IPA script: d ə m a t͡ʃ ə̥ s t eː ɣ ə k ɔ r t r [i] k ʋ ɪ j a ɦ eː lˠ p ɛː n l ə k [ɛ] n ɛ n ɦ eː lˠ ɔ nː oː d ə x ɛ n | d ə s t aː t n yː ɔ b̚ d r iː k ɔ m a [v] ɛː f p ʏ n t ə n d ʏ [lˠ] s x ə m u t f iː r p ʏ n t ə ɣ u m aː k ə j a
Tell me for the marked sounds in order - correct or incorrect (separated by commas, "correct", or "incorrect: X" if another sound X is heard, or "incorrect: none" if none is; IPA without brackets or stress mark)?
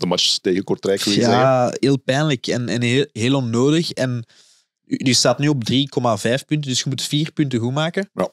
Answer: incorrect: ɛ, correct, correct, incorrect: none